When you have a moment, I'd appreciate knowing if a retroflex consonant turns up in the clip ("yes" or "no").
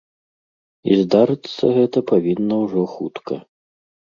yes